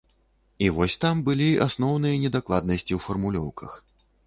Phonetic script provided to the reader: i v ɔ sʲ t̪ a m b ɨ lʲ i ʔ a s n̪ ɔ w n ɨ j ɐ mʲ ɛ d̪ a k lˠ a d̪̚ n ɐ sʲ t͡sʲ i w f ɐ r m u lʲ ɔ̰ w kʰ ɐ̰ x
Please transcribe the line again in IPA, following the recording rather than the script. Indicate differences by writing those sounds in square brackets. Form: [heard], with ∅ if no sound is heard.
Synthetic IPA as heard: i v ɔ sʲ t̪ a m b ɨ lʲ i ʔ a s n̪ ɔ w n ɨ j ɐ [nʲ] ɛ d̪ a k lˠ a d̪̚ n ɐ sʲ t͡sʲ i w f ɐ r m u lʲ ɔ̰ w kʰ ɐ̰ x